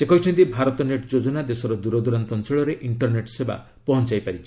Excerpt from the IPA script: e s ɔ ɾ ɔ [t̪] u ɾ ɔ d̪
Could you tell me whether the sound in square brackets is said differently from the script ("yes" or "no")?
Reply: yes